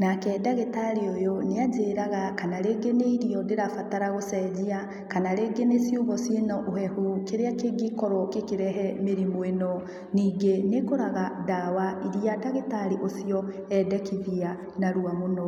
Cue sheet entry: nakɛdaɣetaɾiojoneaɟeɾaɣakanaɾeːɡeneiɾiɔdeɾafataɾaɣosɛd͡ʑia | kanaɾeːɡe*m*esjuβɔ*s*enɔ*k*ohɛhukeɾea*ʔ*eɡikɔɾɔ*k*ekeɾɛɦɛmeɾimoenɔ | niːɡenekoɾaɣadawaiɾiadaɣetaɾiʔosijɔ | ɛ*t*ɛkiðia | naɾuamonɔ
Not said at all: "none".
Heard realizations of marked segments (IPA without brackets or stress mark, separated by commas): n, s, ʔ, k, k, d